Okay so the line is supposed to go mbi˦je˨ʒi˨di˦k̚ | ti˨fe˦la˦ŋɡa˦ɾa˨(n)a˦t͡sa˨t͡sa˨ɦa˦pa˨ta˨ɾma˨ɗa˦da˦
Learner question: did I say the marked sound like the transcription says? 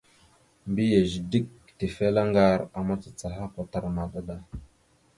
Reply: no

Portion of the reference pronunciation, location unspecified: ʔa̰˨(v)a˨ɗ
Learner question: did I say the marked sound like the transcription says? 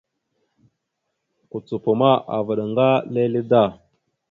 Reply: yes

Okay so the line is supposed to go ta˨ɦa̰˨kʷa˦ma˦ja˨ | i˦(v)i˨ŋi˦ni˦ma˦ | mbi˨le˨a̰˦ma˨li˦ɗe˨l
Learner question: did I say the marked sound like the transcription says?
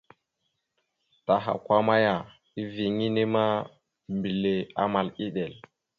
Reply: yes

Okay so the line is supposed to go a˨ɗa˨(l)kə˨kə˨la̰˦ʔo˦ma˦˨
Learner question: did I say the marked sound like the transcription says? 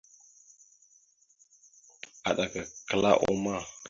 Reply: no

